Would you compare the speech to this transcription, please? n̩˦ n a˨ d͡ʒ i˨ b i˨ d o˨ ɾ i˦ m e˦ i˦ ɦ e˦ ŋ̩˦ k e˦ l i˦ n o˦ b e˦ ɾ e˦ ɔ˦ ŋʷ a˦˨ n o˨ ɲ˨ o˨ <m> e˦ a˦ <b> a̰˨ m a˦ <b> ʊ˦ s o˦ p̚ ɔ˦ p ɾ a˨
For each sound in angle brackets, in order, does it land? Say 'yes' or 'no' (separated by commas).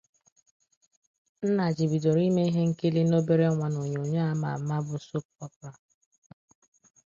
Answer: no, no, yes